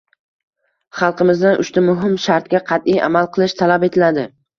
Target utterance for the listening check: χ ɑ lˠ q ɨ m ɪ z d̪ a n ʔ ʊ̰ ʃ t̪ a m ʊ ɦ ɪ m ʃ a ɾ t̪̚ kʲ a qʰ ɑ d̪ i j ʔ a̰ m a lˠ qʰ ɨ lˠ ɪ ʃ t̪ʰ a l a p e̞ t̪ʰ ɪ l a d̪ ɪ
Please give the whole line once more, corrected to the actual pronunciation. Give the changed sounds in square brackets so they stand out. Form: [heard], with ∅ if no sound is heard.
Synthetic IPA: χ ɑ lˠ q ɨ m ɪ z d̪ a n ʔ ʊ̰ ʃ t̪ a m ʊ ɦ ɪ m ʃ a ɾ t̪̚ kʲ a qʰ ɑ [t̪] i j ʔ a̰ m a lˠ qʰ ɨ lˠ ɪ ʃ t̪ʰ a l a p e̞ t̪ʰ ɪ l a d̪ ɪ